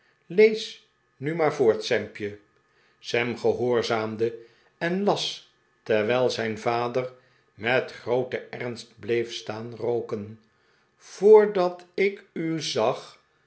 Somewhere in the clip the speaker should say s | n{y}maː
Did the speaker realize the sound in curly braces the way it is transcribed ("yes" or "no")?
yes